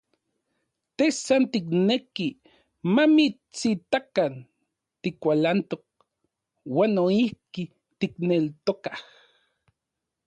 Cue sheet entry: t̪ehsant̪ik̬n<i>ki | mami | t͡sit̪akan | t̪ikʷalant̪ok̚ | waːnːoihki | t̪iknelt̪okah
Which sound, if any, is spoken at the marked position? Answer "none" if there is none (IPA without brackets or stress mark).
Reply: e